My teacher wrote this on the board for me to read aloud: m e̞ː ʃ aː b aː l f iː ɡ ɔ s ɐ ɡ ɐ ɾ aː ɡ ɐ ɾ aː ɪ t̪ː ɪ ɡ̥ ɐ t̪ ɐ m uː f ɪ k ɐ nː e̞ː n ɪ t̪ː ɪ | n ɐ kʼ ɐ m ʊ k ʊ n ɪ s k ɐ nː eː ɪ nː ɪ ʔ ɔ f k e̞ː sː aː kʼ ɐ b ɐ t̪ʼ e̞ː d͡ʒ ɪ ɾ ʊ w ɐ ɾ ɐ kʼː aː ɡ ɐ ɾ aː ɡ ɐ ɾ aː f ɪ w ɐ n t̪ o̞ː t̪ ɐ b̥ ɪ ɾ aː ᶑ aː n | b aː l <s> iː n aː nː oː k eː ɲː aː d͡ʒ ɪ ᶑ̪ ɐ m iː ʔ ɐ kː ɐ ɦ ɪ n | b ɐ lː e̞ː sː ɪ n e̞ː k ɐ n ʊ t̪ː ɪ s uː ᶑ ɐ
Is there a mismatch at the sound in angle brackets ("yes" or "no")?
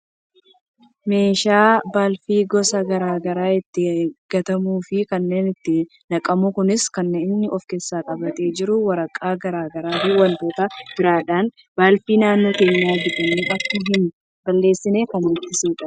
yes